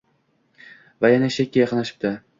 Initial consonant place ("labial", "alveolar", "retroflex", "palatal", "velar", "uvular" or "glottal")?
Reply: labial